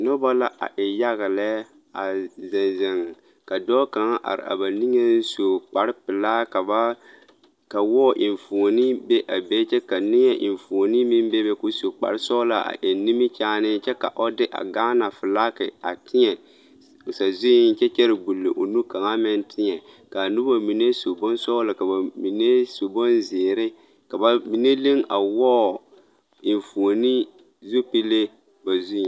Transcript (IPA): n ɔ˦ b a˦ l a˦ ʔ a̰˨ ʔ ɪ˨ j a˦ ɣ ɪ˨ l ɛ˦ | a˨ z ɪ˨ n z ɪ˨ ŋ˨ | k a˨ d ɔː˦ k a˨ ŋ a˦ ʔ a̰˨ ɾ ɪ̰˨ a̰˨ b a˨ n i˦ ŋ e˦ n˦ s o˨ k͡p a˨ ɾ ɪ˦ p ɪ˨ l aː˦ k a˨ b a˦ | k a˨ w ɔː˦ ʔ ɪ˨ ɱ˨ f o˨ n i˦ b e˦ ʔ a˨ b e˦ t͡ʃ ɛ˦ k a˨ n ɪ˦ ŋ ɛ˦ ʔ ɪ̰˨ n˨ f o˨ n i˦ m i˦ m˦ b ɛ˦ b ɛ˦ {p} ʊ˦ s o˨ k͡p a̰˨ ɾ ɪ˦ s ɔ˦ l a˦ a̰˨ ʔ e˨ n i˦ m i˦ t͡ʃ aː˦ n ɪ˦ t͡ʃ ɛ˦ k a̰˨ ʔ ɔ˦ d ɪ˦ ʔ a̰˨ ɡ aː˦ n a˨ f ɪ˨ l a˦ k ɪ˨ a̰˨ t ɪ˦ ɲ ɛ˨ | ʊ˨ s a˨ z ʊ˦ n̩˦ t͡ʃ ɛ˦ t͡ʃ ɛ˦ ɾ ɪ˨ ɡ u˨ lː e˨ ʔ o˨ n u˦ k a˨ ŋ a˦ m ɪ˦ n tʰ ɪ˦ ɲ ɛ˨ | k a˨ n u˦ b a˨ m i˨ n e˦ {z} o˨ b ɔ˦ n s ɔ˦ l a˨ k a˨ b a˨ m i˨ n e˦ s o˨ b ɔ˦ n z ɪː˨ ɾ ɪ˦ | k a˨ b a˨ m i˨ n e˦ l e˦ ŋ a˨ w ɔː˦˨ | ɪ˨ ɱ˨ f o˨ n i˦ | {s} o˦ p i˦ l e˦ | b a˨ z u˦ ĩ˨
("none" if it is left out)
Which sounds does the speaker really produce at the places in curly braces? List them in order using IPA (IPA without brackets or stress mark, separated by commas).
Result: k, s, z